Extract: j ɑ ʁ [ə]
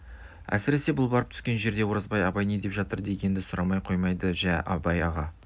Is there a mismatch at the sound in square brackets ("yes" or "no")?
yes